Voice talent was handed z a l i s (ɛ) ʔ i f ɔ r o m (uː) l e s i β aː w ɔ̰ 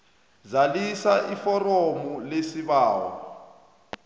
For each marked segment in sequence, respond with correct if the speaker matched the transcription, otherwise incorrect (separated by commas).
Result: incorrect, incorrect